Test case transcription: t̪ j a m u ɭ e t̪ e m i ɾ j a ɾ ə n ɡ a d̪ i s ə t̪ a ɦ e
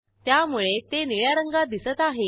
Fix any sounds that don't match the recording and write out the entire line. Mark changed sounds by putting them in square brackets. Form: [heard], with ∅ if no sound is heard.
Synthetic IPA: t̪ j a m u ɭ e t̪ e [n] i [ɭ] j a ɾ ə [ŋ] ɡ a d̪ i s ə t̪ a ɦ e